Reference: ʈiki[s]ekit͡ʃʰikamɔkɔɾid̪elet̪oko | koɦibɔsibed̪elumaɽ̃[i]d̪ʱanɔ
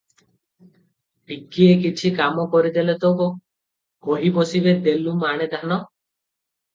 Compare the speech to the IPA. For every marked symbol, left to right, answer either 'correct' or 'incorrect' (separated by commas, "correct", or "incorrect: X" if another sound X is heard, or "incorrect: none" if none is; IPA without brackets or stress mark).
incorrect: none, incorrect: e